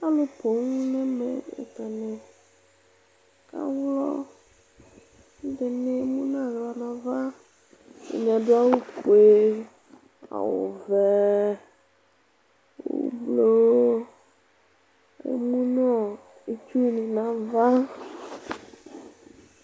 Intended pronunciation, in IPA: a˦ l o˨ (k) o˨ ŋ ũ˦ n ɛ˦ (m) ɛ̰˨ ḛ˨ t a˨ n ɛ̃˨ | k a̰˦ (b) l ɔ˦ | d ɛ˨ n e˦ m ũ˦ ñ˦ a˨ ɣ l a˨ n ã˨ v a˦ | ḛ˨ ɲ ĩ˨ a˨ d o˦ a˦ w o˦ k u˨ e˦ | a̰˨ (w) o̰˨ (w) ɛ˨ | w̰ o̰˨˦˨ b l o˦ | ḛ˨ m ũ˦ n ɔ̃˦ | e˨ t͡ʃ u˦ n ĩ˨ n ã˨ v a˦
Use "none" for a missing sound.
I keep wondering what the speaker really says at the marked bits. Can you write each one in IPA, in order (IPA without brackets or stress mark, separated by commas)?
p, m, w, w, v